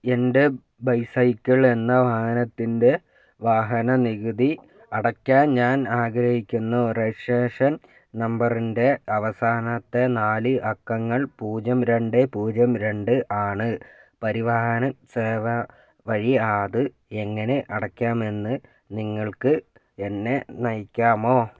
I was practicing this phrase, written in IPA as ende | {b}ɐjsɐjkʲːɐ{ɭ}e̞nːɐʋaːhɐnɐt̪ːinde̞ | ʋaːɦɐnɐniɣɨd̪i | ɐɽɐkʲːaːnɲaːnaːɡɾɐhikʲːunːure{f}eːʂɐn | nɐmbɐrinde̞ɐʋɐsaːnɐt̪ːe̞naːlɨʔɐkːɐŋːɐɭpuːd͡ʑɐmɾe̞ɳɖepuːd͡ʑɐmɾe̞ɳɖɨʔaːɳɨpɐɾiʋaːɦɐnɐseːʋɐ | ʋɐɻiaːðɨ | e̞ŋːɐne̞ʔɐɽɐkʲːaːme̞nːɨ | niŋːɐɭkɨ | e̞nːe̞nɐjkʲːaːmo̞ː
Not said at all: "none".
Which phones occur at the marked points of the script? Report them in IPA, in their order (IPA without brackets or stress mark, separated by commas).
b, ɭ, ʂ